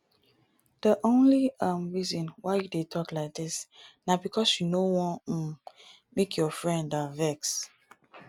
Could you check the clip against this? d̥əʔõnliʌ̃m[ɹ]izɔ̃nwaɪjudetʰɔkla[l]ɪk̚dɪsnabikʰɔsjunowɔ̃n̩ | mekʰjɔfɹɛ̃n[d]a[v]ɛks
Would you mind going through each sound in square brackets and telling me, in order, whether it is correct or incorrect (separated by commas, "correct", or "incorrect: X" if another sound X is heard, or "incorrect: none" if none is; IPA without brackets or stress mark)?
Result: correct, incorrect: none, correct, correct